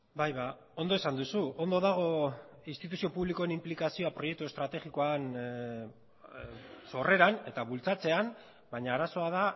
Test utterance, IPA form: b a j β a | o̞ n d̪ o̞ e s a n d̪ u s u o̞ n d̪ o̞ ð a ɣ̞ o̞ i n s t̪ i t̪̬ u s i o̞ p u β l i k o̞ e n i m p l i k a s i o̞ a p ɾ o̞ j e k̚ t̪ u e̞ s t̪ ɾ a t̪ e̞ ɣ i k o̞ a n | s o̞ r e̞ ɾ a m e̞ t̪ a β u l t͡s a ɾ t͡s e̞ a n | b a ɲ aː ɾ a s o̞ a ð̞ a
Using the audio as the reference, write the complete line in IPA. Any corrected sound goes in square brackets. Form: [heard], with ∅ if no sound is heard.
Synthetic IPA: b a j β a | o̞ n d̪ o̞ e s a n d̪ u s u o̞ n d̪ o̞ ð a ɣ̞ o̞ i n s t̪ i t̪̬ u s i o̞ p u β l i k o̞ e n i m p l i k a s i o̞ a p ɾ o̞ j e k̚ t̪ u e̞ s t̪ ɾ a t̪ e̞ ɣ i k o̞ a n | s o̞ r e̞ ɾ a [n] e̞ t̪ a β u l t͡s a [∅] t͡s e̞ a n | b a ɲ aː ɾ a s o̞ a ð̞ a